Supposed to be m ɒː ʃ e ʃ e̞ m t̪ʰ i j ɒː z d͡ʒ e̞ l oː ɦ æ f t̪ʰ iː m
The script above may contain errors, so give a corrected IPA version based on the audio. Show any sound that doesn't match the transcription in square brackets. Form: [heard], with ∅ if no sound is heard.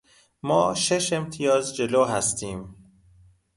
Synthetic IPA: m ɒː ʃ e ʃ e̞ m t̪ʰ i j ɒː z d͡ʒ e̞ l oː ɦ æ [s] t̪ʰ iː m